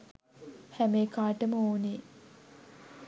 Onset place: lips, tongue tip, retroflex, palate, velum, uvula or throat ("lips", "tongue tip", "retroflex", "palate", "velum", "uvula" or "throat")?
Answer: throat